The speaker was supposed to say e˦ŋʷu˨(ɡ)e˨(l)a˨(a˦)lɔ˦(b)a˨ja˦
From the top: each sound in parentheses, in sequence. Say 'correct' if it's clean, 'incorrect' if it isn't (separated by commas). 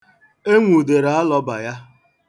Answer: incorrect, incorrect, correct, correct